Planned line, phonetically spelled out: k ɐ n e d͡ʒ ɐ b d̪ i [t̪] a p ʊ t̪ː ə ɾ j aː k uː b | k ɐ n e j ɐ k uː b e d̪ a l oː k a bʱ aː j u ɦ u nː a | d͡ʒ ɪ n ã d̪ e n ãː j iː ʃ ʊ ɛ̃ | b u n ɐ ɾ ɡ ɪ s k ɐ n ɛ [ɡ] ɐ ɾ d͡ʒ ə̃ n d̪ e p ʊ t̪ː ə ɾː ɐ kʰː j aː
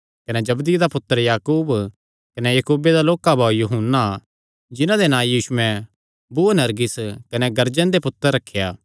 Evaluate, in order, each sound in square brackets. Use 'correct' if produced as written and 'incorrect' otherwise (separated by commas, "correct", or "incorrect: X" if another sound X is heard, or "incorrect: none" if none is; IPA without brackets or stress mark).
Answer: incorrect: d̪, correct